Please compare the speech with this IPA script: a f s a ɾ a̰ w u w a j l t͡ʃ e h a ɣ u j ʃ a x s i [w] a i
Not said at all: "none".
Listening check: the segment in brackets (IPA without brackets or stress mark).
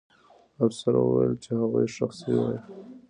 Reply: w